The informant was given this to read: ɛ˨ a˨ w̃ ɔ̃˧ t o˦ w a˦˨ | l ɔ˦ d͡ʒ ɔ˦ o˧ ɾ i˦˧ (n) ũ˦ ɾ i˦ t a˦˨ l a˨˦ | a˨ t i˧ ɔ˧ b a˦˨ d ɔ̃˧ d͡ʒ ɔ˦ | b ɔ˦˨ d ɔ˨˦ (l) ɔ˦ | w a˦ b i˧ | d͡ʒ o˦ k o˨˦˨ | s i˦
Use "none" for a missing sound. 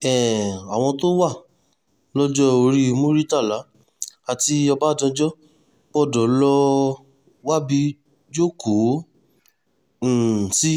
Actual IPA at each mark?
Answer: m, l

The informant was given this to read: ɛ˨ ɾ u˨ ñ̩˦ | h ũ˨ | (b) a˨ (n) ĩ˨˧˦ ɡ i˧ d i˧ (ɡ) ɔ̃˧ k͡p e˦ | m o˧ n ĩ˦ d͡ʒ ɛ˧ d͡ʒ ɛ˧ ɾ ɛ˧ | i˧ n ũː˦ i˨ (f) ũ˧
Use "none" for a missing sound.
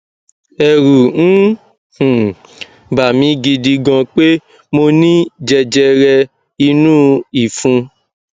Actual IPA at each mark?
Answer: b, m, ɡ, f

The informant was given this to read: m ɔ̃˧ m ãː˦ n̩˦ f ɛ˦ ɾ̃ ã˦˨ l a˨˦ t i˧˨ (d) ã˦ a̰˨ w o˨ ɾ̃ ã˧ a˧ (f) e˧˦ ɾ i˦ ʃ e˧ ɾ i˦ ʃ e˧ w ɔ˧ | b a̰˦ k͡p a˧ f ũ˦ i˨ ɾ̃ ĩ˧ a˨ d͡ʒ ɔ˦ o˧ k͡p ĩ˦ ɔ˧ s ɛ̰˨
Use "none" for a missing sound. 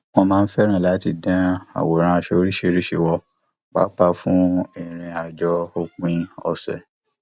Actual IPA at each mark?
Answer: d, ʃ

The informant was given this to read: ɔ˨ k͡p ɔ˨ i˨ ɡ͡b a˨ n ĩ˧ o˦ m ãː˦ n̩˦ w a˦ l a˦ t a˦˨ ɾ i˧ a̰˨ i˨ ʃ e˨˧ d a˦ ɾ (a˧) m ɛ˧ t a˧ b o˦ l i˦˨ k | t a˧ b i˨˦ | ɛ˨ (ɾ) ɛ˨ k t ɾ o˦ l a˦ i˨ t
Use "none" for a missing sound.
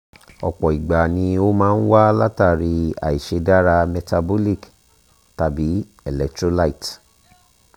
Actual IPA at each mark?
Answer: a˧, l

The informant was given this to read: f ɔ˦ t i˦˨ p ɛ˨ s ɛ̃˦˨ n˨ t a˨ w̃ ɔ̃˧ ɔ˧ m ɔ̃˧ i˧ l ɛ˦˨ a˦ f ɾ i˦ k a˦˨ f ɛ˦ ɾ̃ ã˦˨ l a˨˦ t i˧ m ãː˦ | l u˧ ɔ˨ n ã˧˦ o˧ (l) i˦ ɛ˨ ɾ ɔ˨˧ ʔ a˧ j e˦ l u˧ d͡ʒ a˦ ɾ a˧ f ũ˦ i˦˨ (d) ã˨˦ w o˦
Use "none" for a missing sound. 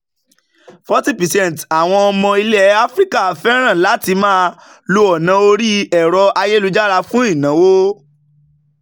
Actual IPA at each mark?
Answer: ɾ, n

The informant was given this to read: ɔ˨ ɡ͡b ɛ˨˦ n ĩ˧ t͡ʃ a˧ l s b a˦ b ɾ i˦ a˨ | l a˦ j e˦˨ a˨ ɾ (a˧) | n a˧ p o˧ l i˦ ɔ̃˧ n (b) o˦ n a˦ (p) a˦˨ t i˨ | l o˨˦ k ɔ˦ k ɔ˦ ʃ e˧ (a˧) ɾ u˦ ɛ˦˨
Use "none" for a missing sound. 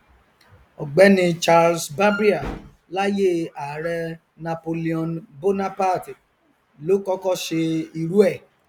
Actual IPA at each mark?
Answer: ɛ˧, b, p, i˧

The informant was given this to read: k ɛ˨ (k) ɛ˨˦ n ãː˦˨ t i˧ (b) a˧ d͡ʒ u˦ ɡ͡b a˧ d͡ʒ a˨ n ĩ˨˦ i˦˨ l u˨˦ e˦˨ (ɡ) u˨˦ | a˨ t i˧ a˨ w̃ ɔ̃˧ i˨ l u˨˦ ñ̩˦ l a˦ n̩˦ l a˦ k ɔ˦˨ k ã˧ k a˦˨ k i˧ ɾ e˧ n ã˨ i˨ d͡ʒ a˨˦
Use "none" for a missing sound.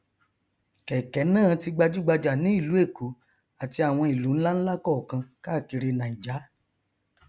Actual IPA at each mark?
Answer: k, ɡ͡b, k

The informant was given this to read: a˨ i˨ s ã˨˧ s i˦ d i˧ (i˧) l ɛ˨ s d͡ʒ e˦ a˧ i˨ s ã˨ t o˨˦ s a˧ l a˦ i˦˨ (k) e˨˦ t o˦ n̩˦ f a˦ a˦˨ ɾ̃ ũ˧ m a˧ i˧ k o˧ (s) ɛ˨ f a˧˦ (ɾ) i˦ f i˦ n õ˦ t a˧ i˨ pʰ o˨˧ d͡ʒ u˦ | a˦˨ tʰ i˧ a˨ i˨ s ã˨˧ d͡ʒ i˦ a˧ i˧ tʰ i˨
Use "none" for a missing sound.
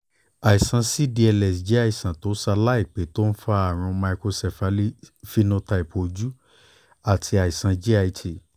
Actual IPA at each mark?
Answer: ɛ˧, k͡p, s, l

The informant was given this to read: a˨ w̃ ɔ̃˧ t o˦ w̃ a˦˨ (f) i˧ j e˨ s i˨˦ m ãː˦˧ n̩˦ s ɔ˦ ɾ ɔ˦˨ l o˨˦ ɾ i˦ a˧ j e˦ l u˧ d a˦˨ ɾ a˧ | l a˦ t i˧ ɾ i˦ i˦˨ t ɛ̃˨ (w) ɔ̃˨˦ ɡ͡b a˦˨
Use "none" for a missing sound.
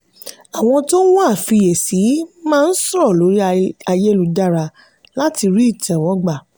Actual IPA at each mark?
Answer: f, w

